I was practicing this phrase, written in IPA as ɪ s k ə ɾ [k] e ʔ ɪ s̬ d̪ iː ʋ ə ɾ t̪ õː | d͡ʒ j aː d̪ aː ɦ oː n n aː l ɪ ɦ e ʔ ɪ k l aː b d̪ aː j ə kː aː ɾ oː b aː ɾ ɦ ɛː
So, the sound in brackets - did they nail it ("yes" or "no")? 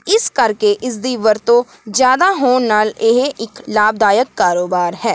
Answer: yes